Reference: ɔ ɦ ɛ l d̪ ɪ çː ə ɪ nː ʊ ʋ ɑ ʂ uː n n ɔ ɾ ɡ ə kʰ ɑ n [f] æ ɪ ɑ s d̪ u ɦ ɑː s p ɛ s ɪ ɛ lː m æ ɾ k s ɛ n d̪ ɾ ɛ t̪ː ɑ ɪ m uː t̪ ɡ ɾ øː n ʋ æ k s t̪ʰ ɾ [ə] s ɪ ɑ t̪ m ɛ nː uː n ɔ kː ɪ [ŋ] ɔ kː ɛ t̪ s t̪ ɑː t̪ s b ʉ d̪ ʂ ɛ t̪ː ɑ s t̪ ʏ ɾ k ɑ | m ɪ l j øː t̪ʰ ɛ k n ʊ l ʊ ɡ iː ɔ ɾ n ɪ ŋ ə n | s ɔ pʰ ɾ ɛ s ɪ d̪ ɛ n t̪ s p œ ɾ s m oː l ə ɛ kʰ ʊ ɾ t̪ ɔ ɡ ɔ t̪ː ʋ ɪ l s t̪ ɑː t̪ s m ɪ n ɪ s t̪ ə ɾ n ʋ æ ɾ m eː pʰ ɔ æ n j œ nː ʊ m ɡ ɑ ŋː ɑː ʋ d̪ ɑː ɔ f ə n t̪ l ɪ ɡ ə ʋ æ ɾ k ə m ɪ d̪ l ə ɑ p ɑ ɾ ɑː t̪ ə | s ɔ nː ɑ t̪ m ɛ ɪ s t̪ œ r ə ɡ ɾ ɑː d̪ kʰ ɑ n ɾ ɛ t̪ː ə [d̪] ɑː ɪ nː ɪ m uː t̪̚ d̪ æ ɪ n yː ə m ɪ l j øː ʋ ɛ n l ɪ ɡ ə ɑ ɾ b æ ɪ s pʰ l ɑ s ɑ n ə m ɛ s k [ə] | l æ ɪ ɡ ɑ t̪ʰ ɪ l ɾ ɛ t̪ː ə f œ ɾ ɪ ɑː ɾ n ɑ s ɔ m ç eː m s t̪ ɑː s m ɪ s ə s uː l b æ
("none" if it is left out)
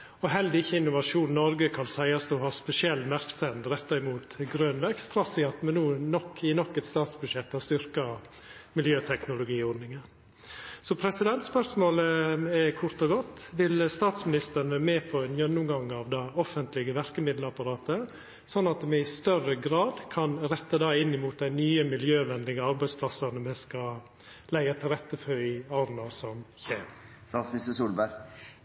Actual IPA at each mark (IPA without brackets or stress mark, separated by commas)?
s, ɑ, n, d̪, ɑ